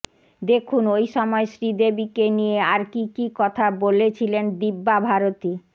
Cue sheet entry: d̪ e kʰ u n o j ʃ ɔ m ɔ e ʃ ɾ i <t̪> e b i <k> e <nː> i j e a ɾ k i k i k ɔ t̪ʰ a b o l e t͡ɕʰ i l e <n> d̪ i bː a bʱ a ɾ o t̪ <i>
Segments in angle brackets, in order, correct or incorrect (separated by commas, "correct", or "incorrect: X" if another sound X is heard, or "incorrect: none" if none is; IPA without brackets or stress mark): incorrect: d̪, correct, incorrect: n, correct, correct